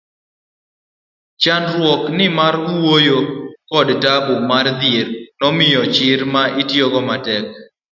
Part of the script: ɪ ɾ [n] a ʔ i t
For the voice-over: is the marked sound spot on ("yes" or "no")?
no